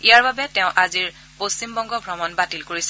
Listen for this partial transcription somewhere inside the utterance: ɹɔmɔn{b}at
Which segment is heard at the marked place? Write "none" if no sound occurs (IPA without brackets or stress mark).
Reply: b